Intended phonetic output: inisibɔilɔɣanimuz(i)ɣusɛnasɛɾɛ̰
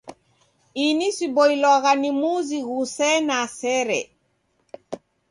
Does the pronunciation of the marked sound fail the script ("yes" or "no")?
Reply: no